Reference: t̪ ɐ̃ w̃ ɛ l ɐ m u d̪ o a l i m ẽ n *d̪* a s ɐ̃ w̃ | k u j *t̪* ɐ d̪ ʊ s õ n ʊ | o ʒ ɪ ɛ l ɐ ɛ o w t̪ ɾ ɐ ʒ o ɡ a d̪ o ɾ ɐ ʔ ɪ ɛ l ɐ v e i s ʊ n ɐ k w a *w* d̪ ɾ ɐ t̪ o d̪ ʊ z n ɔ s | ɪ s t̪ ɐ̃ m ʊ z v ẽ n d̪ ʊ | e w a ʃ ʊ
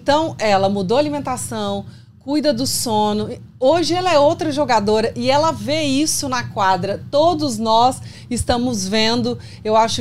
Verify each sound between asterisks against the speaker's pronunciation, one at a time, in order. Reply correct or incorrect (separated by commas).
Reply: incorrect, incorrect, incorrect